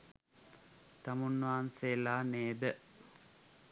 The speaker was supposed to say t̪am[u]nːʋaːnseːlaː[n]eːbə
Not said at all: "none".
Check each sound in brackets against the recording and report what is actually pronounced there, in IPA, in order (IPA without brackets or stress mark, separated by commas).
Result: u, n